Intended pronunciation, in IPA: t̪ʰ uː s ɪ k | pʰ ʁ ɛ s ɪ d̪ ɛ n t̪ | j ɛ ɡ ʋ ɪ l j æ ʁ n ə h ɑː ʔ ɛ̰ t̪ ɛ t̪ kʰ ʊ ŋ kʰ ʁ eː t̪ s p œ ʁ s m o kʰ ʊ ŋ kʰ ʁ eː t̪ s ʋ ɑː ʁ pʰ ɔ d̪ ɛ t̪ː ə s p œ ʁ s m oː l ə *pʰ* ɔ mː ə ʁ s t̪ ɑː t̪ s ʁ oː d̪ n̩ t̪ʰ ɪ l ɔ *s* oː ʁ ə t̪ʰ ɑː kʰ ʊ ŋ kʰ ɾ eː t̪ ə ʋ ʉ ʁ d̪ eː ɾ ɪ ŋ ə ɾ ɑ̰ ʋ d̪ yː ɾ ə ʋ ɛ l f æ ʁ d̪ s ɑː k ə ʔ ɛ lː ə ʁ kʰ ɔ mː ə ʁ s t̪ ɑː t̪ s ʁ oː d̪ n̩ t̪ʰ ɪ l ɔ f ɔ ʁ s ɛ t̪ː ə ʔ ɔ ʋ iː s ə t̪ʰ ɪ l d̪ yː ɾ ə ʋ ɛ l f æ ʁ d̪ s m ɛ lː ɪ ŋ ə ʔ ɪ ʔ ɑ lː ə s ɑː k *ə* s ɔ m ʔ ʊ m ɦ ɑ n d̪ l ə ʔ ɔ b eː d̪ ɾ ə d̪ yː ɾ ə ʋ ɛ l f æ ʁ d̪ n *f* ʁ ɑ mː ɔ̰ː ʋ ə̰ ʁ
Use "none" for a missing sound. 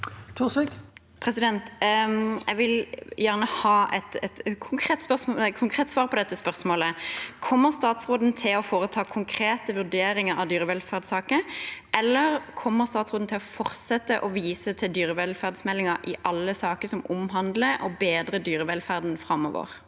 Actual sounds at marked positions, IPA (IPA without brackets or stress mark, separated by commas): kʰ, f, ə, f